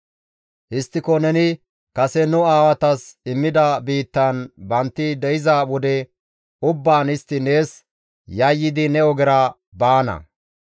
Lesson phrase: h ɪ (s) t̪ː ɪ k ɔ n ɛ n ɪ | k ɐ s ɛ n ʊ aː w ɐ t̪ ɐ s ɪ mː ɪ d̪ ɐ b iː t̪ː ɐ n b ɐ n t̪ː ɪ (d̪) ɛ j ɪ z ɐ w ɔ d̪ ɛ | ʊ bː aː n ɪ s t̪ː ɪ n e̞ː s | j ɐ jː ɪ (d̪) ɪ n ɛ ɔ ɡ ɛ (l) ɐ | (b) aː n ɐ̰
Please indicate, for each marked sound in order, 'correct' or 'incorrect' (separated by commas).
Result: correct, correct, correct, incorrect, correct